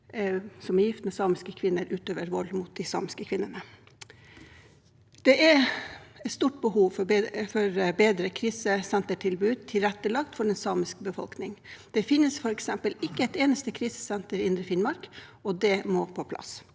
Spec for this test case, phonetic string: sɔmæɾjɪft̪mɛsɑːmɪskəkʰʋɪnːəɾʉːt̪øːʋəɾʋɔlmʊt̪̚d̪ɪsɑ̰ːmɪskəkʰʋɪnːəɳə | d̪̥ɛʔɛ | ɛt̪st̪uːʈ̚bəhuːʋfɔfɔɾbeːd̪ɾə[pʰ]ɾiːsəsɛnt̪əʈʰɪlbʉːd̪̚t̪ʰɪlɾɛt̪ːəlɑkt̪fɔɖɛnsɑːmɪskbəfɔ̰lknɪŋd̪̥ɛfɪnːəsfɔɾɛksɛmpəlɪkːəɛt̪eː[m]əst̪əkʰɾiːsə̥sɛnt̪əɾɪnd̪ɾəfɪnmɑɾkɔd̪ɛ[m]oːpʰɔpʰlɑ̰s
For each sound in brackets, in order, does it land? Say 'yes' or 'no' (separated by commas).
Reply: no, no, yes